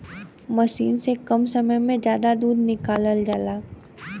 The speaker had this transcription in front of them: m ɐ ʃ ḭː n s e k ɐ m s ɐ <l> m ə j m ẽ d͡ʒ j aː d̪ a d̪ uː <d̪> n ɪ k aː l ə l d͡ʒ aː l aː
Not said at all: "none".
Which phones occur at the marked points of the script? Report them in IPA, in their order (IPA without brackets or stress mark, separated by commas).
none, d̪